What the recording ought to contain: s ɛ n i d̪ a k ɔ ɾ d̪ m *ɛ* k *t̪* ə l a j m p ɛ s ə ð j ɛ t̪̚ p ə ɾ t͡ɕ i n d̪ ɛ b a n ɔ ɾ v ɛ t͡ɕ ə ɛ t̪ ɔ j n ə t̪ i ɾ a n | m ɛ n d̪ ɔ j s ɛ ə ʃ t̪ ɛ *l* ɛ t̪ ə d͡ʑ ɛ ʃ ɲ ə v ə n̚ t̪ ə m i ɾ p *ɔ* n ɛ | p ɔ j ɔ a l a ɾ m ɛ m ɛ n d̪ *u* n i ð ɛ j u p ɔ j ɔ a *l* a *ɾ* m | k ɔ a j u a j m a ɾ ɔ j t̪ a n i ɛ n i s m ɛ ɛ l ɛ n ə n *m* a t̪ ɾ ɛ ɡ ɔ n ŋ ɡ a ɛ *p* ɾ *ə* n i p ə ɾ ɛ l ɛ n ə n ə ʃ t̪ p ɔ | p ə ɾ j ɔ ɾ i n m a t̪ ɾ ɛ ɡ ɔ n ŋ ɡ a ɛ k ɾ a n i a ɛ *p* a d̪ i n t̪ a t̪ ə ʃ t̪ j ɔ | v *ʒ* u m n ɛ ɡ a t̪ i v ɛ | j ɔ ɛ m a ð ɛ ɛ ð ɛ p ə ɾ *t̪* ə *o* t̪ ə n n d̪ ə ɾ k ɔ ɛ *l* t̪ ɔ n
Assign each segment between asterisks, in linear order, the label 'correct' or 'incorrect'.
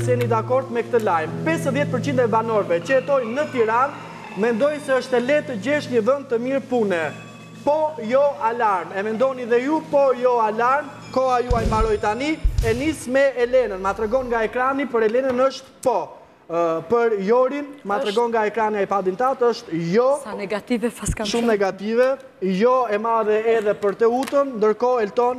correct, correct, correct, incorrect, incorrect, correct, correct, correct, incorrect, incorrect, correct, incorrect, correct, incorrect, correct

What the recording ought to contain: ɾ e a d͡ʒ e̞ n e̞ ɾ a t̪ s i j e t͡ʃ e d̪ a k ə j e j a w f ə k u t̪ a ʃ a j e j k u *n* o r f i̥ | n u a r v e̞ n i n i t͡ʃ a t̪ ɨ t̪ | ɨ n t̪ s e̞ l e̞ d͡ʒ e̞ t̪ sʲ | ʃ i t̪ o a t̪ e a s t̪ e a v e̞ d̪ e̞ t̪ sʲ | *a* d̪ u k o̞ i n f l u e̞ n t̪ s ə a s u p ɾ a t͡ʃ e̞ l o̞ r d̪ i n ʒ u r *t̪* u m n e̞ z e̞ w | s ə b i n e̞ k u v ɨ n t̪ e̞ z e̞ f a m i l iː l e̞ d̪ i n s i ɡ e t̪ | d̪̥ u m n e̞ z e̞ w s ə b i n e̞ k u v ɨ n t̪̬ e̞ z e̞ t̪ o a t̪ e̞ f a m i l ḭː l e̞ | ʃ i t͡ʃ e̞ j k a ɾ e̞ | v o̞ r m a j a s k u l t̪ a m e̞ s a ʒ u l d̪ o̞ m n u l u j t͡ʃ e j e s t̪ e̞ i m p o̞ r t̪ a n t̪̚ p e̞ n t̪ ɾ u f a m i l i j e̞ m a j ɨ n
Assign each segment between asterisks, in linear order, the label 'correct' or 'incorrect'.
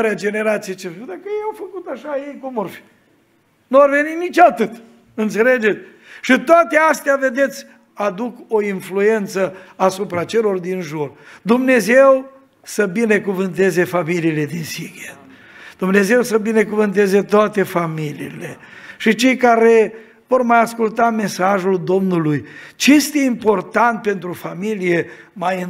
incorrect, correct, incorrect

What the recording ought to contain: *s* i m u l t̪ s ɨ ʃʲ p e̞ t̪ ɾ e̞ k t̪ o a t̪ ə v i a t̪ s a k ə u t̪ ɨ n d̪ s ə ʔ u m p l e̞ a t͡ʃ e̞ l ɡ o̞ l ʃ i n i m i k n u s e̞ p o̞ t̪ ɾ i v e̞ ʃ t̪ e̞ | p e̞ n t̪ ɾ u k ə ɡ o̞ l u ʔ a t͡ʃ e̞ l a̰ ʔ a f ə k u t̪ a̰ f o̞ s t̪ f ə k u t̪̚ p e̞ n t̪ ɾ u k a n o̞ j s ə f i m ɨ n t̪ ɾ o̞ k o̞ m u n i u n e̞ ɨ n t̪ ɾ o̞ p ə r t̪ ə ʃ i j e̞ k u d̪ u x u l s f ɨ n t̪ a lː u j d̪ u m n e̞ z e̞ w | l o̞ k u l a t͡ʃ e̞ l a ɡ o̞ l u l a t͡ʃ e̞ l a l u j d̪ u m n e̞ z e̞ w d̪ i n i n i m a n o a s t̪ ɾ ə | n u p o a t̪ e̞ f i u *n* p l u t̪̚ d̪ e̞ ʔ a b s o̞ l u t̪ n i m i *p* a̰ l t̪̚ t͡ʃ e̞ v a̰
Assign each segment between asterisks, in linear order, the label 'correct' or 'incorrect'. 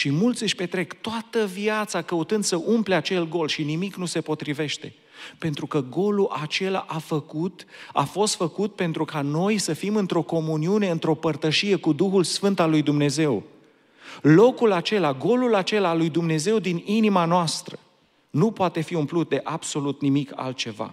incorrect, incorrect, incorrect

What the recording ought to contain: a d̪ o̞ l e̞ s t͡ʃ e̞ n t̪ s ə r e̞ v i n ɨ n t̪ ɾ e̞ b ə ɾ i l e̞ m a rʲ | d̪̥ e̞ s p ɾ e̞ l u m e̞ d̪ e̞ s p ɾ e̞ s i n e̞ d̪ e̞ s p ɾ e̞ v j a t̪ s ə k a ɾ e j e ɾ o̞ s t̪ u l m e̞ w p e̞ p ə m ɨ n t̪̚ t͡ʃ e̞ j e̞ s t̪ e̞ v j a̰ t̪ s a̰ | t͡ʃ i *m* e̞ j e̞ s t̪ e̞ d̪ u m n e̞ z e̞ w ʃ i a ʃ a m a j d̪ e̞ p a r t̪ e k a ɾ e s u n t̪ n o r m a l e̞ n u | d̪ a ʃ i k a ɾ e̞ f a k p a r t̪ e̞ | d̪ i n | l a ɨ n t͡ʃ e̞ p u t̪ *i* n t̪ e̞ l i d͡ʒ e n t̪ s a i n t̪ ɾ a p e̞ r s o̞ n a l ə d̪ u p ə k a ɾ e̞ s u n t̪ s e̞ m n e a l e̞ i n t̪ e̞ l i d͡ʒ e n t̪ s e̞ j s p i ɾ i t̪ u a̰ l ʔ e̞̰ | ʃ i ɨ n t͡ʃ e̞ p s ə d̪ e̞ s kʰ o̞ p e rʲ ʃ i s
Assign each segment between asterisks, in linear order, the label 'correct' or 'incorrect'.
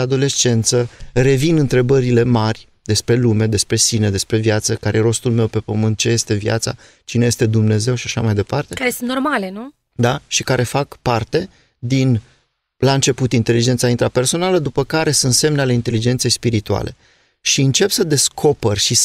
incorrect, correct

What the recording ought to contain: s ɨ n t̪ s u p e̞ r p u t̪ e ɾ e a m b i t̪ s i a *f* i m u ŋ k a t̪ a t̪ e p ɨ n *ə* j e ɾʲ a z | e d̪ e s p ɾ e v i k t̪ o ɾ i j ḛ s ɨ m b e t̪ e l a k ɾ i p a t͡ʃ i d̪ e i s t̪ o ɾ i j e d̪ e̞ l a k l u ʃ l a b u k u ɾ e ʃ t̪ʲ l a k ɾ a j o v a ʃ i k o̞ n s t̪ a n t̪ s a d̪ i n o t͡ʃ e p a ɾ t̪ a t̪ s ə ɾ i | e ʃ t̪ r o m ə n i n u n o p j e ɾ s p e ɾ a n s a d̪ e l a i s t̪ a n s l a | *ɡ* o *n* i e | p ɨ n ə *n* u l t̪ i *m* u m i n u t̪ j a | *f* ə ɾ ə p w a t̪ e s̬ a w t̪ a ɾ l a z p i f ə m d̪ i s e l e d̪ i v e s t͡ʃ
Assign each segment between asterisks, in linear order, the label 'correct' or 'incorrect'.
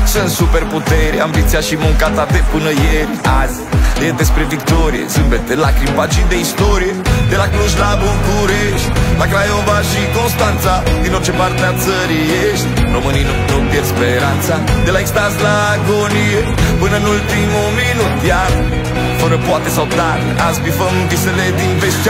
incorrect, correct, correct, correct, correct, correct, correct

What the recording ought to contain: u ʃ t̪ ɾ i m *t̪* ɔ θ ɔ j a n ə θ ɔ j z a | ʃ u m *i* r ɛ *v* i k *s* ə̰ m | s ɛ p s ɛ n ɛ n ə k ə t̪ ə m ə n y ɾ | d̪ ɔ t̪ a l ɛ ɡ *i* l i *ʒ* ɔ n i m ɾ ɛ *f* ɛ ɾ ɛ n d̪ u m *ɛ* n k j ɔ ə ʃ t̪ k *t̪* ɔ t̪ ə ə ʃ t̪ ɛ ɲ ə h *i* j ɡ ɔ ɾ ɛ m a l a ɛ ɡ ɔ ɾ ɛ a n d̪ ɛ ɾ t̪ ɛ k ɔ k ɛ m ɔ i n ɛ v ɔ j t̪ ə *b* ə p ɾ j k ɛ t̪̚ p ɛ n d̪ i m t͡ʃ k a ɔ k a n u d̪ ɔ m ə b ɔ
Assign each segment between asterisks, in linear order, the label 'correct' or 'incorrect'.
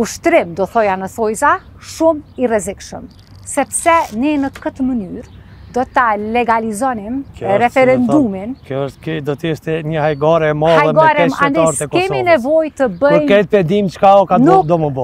incorrect, correct, incorrect, incorrect, incorrect, incorrect, correct, incorrect, incorrect, incorrect, correct

